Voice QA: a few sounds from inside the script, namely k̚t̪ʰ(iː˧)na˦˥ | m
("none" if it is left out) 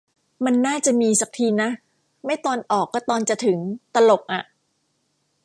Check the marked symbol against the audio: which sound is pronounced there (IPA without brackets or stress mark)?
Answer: iː˧